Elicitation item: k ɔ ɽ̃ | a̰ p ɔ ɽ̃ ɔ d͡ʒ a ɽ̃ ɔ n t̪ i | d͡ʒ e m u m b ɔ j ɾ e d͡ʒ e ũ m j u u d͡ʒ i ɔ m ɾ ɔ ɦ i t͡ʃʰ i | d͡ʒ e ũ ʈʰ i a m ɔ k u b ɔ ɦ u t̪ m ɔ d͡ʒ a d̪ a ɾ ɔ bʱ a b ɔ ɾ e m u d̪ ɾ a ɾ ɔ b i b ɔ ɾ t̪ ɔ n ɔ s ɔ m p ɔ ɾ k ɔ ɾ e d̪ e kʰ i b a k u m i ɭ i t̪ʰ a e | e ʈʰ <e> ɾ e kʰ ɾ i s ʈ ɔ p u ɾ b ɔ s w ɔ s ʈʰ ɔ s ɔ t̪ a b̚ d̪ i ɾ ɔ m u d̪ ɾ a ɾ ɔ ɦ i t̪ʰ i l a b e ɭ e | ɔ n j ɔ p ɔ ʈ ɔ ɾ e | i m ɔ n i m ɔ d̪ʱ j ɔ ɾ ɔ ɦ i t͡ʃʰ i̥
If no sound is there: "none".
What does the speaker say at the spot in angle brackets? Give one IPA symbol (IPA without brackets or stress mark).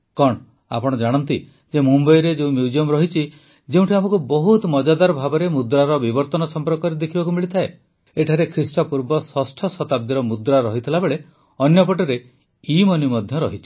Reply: a